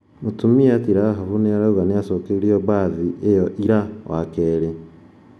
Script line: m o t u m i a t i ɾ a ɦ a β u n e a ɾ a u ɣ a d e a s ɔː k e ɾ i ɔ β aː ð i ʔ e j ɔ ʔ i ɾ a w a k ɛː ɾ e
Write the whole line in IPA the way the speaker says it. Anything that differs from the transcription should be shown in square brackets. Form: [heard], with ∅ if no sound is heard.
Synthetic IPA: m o t u m i a t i ɾ a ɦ a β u n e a ɾ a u ɣ a [n] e a s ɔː k e ɾ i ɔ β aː ð i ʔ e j ɔ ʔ i ɾ a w a k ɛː ɾ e